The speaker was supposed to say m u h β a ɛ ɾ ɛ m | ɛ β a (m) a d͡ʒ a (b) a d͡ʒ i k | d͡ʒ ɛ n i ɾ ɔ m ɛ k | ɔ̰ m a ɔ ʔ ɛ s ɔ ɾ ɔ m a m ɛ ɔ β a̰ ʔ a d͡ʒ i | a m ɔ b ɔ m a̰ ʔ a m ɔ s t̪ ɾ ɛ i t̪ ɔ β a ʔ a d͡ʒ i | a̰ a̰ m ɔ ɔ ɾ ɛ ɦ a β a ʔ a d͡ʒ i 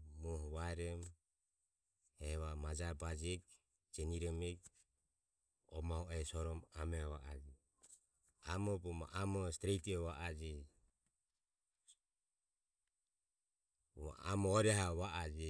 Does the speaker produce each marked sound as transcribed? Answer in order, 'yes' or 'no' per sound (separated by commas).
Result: yes, yes